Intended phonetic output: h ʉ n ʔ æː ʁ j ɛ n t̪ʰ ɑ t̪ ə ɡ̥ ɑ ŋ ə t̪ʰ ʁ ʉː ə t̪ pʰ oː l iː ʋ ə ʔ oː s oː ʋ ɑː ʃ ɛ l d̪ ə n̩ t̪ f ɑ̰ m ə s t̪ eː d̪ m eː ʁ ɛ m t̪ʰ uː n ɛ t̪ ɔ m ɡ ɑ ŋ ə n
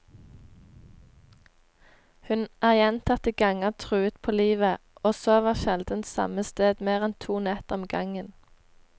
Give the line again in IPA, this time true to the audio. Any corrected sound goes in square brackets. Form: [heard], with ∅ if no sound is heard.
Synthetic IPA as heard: h ʉ n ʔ æː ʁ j ɛ n t̪ʰ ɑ t̪ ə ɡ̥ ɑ ŋ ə t̪ʰ ʁ ʉː ə t̪ pʰ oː l iː ʋ ə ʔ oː s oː ʋ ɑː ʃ ɛ l d̪ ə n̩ t̪ [s] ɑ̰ m ə s t̪ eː d̪ m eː ʁ ɛ [n] t̪ʰ uː n ɛ t̪ ɔ m ɡ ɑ ŋ ə n